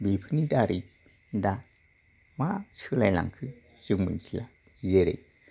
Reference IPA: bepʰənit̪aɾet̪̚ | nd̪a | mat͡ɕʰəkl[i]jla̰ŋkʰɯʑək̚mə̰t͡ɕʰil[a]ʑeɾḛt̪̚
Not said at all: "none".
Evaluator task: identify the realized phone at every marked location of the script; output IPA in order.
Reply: a, a

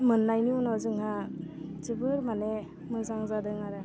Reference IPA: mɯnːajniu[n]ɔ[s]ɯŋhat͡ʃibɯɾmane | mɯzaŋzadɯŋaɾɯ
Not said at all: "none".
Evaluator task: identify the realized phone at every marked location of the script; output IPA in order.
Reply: n, z

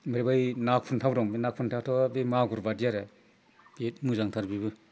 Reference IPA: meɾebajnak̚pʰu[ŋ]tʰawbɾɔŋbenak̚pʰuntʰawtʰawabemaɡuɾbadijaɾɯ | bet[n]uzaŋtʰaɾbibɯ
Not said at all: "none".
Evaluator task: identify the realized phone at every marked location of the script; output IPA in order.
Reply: n, m

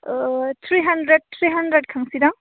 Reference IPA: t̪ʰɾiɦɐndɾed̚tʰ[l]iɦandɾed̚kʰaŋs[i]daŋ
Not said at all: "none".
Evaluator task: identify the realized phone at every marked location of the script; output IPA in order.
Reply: ɾ, i

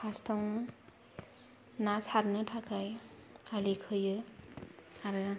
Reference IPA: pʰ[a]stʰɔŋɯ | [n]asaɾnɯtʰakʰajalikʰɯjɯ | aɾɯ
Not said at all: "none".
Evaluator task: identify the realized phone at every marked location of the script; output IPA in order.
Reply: a, n

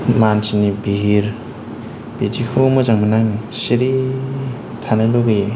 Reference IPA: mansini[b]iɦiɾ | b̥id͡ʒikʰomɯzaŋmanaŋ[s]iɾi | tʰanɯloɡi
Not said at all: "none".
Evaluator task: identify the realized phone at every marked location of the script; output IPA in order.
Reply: b, s

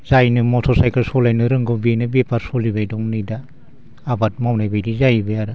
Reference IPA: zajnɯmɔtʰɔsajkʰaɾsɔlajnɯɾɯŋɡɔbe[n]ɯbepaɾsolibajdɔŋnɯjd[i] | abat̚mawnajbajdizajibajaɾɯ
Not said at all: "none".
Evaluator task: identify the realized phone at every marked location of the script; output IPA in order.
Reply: n, a

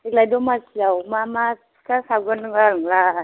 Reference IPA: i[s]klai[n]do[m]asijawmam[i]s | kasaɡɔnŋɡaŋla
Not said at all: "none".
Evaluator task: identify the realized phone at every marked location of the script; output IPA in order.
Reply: none, none, m, a

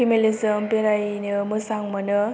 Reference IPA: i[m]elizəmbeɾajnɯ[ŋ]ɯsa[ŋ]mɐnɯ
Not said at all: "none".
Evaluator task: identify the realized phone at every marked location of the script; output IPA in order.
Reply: m, m, ŋ

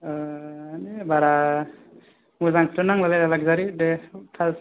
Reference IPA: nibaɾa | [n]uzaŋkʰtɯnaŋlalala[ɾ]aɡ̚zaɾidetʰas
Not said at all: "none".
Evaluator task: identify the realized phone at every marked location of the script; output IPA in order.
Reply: m, l

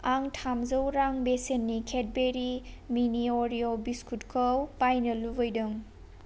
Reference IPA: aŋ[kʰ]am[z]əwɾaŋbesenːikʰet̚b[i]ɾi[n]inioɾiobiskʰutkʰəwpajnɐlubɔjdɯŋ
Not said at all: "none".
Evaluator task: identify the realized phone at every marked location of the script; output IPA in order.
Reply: tʰ, z, e, m

